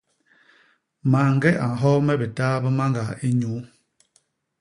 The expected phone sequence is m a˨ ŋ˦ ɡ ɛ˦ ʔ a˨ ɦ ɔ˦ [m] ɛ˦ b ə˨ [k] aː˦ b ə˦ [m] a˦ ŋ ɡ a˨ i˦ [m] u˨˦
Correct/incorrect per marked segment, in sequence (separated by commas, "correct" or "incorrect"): correct, incorrect, correct, incorrect